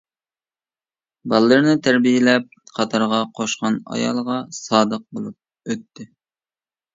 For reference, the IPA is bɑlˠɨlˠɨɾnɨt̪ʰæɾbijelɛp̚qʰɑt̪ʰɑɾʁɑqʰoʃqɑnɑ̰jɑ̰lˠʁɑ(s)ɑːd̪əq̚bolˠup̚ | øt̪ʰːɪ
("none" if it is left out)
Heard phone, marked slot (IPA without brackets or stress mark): s